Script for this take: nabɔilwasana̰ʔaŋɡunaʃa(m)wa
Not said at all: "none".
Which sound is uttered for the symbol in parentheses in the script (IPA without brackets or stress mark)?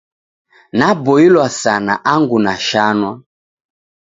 n